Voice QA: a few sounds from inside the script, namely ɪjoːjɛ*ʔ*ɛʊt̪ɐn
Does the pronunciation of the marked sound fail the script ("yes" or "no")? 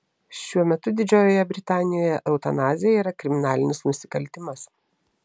no